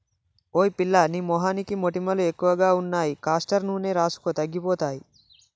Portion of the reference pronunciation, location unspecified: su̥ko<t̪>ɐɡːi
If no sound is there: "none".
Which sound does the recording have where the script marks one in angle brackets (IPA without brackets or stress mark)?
t̪